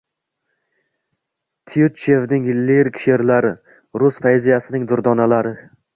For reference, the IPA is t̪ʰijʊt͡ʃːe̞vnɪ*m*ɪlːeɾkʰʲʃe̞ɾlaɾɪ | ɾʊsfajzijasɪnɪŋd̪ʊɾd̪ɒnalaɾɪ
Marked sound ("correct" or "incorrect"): incorrect